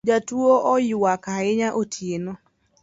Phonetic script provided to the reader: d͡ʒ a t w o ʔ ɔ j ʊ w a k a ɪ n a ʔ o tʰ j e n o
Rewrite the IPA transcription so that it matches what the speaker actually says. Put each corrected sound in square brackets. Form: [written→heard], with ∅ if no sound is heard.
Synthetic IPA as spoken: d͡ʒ a t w o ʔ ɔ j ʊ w a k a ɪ [n→ɲ] a ʔ o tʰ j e n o